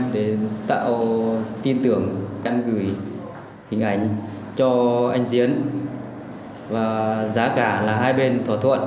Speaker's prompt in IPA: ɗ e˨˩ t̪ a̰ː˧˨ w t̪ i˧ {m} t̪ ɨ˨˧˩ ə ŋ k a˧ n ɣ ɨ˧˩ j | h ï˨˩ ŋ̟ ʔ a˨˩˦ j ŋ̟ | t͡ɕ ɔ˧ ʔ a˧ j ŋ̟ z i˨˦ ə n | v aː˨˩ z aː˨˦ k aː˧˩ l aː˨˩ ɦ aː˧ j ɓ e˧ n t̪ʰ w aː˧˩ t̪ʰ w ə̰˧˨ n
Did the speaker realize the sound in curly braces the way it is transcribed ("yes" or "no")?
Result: no